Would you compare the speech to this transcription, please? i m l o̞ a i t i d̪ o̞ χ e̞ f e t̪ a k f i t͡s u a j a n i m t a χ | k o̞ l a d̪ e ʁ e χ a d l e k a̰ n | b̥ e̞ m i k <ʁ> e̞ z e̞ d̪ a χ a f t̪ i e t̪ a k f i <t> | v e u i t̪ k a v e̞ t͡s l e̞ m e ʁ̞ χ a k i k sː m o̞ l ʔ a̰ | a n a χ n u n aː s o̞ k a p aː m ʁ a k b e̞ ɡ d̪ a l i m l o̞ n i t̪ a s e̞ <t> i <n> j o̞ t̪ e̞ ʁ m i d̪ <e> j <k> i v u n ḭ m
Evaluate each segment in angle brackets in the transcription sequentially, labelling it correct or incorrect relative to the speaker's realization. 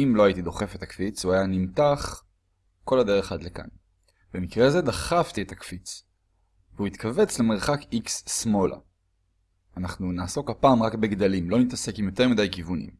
correct, incorrect: t͡s, incorrect: k, incorrect: m, incorrect: a, correct

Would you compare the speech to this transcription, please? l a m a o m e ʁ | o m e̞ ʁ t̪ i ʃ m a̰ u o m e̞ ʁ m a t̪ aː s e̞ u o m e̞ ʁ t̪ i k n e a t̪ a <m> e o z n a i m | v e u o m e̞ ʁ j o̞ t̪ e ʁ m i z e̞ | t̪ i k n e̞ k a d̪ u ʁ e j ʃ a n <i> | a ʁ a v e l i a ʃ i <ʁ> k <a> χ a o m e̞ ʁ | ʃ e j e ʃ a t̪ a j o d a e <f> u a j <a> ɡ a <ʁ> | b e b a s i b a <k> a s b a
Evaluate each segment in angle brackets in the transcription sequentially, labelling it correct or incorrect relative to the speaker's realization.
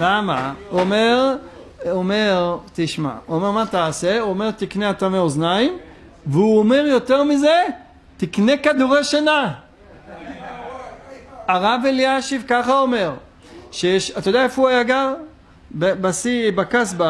correct, incorrect: a, incorrect: v, correct, correct, correct, correct, correct

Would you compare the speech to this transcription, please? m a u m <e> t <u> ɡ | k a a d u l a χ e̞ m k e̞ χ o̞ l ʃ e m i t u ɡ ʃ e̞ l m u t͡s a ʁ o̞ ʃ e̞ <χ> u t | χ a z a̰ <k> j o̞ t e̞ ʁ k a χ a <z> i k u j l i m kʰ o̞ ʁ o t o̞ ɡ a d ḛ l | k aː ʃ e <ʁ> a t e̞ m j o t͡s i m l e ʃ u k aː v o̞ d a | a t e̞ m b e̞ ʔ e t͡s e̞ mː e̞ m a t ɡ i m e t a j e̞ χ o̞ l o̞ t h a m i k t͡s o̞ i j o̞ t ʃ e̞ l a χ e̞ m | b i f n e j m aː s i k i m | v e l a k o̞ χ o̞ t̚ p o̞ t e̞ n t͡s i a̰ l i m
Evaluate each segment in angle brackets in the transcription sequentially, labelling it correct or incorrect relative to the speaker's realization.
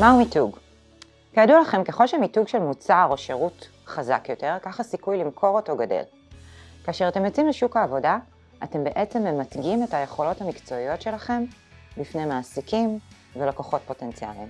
incorrect: i, correct, incorrect: ʁ, correct, incorrect: s, correct

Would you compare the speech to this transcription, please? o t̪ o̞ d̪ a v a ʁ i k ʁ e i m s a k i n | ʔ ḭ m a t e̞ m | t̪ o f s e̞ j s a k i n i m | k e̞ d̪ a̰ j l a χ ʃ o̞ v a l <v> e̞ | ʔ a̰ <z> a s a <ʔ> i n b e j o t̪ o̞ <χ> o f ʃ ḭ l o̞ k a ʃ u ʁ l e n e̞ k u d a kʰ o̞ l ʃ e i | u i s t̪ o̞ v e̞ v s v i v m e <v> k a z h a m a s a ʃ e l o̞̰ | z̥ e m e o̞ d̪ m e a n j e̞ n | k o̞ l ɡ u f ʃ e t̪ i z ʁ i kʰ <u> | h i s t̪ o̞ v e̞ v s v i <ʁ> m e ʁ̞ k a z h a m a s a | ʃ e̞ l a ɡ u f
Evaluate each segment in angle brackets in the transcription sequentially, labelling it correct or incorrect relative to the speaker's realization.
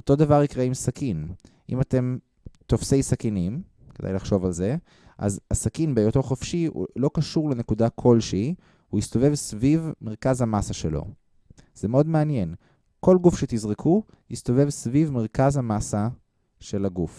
incorrect: z, correct, incorrect: k, correct, incorrect: ʁ, correct, incorrect: v

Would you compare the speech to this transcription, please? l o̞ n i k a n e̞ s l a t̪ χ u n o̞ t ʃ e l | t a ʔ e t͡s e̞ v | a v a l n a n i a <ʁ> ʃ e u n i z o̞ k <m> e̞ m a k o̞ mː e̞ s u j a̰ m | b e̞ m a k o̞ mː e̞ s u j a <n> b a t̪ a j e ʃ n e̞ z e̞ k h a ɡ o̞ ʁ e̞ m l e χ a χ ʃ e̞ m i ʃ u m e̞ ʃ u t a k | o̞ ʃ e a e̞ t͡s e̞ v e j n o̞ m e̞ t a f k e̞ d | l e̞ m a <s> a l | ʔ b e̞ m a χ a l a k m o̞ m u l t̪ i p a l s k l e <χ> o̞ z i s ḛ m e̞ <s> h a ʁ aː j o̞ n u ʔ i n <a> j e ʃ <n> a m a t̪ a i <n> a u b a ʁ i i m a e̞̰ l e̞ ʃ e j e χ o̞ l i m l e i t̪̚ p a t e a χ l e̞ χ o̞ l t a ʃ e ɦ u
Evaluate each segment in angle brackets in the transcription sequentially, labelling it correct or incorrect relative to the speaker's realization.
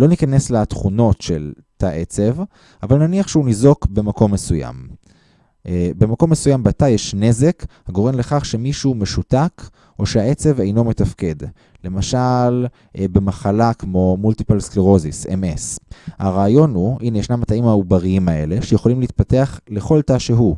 incorrect: χ, incorrect: b, incorrect: m, incorrect: ʃ, incorrect: ʁ, correct, incorrect: e, correct, incorrect: m

